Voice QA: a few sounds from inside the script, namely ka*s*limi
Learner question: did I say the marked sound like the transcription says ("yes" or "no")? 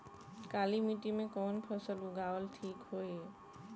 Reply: no